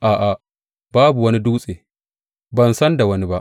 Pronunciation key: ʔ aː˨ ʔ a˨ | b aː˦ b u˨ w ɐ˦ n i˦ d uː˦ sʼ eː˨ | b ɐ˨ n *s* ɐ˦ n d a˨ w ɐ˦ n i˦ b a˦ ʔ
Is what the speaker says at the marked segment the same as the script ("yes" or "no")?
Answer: yes